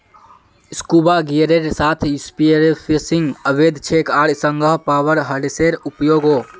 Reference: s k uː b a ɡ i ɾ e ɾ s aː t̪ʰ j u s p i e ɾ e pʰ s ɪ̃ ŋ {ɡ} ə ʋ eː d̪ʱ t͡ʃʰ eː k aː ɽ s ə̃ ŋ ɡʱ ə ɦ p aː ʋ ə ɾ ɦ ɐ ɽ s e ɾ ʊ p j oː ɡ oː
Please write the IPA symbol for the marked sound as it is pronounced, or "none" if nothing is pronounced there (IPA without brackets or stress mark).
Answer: ɡ